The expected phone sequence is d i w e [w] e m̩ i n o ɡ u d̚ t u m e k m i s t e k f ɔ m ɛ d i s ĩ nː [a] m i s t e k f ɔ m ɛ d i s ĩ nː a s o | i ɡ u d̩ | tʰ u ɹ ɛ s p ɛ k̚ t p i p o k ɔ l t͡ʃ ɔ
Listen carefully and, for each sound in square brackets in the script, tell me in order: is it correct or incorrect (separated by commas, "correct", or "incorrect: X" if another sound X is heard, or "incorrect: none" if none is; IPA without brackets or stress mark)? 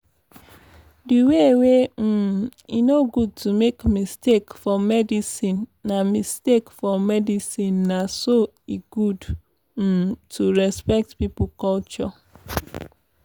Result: correct, correct